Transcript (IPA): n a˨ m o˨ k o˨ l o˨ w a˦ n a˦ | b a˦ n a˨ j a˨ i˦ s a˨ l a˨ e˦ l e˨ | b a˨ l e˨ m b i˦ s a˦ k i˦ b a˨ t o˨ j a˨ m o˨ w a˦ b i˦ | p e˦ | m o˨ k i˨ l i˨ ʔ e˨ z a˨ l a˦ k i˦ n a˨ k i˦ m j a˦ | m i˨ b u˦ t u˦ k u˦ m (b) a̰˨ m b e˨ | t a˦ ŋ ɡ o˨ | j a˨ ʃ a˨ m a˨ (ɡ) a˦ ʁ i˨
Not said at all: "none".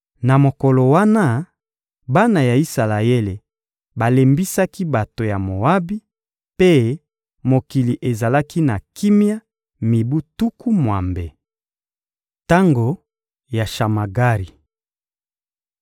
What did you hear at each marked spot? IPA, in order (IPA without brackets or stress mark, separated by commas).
w, ɡ